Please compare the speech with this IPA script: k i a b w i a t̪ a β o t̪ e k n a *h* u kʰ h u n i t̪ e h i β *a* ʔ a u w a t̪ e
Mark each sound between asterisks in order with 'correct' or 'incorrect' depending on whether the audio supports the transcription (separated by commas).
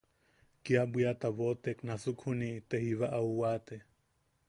incorrect, correct